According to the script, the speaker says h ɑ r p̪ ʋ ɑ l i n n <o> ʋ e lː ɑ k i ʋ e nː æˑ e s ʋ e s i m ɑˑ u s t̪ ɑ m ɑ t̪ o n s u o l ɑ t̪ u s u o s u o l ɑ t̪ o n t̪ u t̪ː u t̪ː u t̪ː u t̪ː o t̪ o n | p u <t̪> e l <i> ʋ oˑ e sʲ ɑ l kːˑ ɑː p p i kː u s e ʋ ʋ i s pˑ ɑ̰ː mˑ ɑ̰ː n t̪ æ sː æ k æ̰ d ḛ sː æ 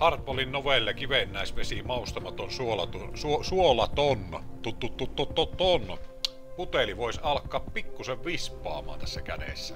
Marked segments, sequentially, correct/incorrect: correct, correct, correct

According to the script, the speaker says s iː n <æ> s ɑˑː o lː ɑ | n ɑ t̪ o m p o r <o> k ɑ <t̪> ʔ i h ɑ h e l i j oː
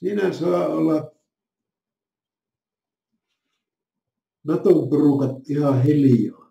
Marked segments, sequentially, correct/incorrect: correct, incorrect, correct

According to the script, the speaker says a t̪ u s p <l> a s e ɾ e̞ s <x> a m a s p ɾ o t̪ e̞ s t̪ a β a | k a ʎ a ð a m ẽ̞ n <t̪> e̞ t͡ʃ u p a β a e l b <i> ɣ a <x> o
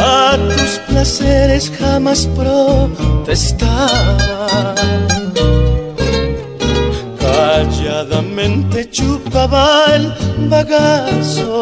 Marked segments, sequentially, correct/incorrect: correct, correct, correct, incorrect, incorrect

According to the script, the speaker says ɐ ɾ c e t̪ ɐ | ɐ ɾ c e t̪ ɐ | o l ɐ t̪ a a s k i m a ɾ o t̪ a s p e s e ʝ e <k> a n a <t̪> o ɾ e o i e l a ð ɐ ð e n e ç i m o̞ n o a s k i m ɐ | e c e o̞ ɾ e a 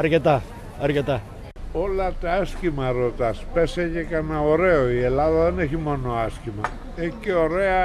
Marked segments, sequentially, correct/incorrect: correct, incorrect

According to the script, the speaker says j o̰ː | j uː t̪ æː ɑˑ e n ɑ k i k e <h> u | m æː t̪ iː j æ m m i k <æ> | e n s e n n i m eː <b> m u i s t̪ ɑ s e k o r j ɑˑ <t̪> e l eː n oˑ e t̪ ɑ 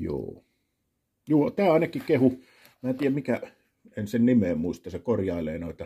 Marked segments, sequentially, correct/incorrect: correct, correct, incorrect, incorrect

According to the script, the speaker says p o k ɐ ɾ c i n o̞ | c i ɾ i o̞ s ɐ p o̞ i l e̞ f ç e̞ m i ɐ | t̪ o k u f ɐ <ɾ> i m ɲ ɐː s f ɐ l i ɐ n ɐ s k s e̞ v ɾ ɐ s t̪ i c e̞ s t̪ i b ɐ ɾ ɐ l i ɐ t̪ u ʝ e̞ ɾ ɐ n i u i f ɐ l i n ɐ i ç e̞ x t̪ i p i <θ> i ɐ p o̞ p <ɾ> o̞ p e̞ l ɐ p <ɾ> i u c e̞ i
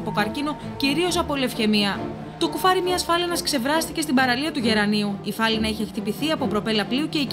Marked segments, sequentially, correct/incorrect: correct, correct, correct, incorrect

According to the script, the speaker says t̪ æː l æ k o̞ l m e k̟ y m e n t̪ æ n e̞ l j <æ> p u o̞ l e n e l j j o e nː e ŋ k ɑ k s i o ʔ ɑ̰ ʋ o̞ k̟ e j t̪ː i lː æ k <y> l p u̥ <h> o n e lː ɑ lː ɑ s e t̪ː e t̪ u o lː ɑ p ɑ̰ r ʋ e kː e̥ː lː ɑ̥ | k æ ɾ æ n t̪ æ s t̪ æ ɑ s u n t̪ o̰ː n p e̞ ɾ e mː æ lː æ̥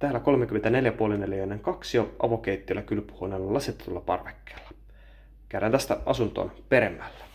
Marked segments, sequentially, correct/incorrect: correct, correct, correct

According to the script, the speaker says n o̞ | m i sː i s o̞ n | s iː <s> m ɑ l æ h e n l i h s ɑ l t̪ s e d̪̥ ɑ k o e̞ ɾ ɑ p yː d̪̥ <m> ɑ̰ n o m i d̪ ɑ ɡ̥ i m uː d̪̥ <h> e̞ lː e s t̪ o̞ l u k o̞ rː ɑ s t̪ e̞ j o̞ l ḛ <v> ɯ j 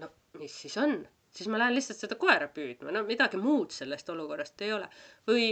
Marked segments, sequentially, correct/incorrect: correct, correct, incorrect, correct

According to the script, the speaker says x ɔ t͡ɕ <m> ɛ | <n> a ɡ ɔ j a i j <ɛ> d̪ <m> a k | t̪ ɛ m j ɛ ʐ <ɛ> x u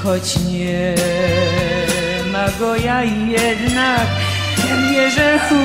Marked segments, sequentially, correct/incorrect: incorrect, incorrect, correct, incorrect, correct

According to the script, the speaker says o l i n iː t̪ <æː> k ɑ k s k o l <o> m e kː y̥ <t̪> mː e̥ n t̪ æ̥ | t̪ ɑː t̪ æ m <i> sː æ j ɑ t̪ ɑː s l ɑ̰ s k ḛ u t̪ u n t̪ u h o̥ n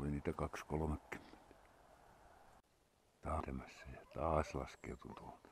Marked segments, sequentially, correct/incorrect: incorrect, correct, incorrect, incorrect

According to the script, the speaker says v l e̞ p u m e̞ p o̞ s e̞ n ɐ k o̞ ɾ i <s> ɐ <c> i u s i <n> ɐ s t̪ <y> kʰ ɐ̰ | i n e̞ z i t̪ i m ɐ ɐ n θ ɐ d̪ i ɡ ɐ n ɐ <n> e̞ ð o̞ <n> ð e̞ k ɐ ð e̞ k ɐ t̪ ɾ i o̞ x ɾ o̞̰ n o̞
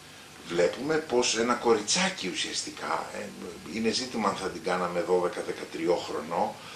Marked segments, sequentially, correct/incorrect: incorrect, correct, incorrect, incorrect, incorrect, incorrect

